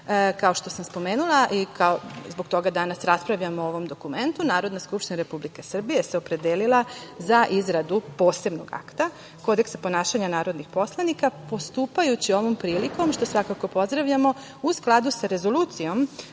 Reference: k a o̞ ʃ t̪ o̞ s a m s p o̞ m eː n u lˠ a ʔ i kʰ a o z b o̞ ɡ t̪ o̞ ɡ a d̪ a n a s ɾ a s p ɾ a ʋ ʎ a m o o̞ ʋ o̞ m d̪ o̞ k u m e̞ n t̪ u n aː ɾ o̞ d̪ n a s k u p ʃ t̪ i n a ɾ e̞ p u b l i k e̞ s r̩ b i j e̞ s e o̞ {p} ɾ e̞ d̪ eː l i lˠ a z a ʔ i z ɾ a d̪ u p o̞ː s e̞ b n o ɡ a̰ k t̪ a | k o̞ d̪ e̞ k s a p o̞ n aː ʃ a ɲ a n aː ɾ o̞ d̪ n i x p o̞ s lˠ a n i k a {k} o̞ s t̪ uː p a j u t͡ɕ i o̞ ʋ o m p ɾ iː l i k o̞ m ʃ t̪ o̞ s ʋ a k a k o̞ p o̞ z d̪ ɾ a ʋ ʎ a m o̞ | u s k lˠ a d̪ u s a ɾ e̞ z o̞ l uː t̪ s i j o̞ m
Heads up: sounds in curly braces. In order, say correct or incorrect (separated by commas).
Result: correct, incorrect